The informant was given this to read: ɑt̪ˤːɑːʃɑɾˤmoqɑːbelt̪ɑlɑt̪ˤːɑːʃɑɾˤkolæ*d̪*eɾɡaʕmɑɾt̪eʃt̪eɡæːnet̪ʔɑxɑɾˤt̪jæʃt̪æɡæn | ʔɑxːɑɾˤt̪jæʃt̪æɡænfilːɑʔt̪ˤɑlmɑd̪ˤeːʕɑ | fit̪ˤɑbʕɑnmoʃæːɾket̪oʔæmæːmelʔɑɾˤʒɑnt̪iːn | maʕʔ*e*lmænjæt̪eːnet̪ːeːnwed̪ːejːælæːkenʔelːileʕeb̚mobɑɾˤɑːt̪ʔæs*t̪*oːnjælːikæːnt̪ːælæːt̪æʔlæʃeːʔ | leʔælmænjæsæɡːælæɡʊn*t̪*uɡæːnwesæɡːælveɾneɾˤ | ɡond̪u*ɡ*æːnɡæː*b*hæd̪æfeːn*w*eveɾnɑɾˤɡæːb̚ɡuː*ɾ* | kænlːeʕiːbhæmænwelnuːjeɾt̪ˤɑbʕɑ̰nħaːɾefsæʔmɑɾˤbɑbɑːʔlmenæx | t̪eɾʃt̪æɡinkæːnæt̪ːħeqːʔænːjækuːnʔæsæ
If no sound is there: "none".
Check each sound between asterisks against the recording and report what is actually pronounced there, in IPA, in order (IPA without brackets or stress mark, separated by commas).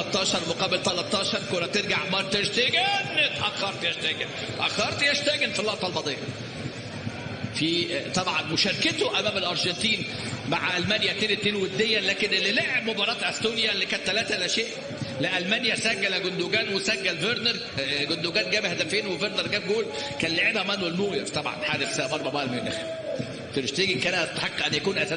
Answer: t̪, æ, t̪, d̪, ɡ, b, w, l